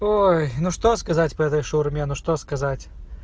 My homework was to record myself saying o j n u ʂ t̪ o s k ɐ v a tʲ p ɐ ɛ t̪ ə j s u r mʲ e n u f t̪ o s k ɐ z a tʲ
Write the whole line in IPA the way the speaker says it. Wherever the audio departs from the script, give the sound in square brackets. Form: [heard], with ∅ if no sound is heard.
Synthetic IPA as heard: o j n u ʂ t̪ o s k ɐ [z] a tʲ p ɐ ɛ t̪ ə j [ʂ] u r mʲ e n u [ʂ] t̪ o s k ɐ z a tʲ